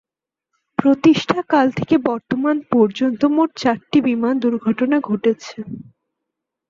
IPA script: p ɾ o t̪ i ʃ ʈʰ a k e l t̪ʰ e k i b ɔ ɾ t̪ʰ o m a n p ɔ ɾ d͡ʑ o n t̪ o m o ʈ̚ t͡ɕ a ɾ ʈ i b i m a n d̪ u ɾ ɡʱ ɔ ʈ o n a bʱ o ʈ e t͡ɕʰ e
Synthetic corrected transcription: p ɾ o t̪ i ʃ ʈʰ a k a l t̪ʰ e k e b ɔ ɾ t̪ o m a n p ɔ ɾ d͡ʑ o n t̪ o m o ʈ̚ t͡ɕ a ɾ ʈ i b i m a n d̪ u ɾ ɡʱ ɔ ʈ o n a ɡʱ o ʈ e t͡ɕʰ e